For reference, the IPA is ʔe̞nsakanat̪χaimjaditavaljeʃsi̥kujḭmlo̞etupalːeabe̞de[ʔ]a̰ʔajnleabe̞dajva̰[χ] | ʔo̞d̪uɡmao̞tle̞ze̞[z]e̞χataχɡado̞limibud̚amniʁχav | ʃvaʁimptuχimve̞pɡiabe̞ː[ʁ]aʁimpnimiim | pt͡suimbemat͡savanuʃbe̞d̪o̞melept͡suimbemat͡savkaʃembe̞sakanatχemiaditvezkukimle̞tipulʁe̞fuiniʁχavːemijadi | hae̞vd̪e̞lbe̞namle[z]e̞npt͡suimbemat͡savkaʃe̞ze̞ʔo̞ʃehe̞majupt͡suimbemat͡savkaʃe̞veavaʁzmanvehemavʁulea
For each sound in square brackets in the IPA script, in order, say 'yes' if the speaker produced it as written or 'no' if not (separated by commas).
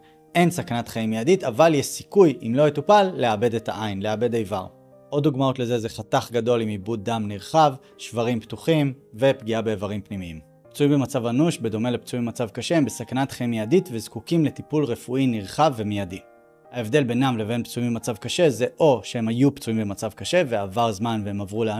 no, no, yes, no, no